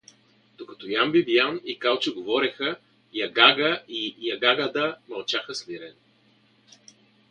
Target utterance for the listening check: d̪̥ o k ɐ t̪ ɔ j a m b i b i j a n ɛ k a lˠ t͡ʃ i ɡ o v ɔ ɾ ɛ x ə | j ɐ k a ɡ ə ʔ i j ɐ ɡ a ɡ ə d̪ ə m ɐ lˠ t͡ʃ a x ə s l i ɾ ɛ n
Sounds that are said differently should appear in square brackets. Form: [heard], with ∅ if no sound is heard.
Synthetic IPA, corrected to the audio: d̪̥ o k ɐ t̪ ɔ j a m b i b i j a n [i] k a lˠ t͡ʃ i ɡ o v ɔ ɾ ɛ x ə | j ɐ [ɡ] a ɡ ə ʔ i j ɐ ɡ a ɡ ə d̪ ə m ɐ lˠ t͡ʃ a x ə s l i ɾ ɛ n